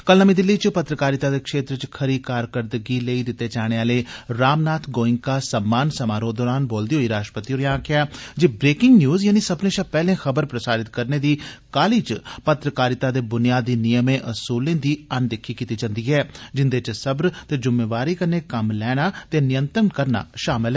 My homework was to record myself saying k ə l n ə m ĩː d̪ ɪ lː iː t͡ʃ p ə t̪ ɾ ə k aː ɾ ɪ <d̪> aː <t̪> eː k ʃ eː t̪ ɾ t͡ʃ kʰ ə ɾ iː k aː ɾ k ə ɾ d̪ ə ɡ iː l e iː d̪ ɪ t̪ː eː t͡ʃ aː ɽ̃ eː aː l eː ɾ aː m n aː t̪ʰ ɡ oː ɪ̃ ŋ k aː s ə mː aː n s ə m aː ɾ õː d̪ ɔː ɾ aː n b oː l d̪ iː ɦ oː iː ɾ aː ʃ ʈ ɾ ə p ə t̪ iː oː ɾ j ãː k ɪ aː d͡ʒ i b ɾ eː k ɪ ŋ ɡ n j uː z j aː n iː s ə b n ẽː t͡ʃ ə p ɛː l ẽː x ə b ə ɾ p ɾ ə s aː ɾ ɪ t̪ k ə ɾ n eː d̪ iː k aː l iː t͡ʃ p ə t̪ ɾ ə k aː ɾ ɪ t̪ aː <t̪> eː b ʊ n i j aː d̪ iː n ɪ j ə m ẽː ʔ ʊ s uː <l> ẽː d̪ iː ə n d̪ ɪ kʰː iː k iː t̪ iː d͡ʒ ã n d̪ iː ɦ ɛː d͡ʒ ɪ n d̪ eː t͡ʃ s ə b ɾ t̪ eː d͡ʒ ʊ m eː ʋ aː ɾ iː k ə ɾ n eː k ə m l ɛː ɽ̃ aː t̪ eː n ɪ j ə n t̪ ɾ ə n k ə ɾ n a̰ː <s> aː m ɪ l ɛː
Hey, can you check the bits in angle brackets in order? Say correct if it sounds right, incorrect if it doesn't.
incorrect, incorrect, incorrect, correct, incorrect

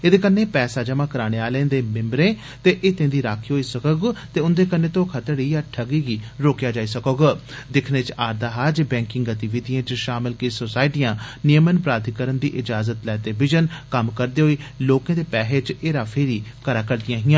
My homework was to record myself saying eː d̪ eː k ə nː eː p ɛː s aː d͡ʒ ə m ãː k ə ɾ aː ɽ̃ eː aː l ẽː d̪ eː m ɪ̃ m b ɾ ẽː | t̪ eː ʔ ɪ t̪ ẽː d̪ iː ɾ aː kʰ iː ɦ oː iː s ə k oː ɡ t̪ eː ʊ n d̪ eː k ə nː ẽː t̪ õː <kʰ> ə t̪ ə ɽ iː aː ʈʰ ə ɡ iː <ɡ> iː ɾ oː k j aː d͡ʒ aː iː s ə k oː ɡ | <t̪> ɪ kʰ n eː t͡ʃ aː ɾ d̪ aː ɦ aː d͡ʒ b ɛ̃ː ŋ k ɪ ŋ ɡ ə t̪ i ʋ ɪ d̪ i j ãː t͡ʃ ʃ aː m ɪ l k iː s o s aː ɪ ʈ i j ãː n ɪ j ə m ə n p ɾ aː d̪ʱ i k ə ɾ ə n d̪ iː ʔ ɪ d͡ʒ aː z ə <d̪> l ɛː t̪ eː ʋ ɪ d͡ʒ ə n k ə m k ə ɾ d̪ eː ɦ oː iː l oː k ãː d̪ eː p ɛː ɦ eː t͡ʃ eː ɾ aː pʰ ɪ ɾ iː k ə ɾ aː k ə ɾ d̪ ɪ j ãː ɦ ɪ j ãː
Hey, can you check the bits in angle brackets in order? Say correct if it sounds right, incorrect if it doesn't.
correct, correct, incorrect, incorrect

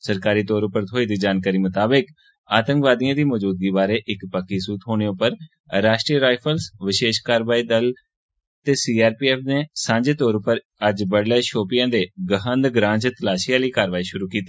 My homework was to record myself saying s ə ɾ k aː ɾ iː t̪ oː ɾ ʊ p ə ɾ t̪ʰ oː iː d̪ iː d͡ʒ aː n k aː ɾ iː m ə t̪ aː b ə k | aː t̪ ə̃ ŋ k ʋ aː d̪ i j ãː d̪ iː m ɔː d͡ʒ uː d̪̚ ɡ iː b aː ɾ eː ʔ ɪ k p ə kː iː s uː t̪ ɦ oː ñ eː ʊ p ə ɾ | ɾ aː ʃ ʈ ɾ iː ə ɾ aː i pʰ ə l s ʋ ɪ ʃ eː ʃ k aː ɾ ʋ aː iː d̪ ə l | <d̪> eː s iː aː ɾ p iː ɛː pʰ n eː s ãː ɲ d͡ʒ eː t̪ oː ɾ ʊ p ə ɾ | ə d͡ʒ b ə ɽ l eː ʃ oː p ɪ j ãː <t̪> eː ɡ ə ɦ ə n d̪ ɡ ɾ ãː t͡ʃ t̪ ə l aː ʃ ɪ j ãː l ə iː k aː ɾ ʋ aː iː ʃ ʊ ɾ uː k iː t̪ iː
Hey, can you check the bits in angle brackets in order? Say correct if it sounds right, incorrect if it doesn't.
incorrect, incorrect

